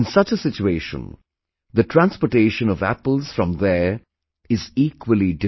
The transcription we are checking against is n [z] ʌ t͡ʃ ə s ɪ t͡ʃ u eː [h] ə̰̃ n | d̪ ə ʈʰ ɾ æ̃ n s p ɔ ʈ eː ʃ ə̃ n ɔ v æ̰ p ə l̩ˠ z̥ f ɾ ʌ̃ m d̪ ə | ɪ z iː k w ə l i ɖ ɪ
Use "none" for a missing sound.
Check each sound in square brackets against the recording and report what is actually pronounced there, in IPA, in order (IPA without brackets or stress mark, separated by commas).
s, ʃ